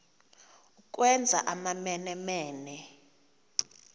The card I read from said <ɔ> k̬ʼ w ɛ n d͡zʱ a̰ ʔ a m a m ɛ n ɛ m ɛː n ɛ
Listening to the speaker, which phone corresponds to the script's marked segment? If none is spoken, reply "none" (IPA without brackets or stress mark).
u